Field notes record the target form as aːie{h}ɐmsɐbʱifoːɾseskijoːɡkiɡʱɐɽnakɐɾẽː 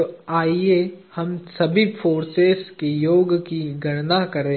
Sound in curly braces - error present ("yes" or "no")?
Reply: no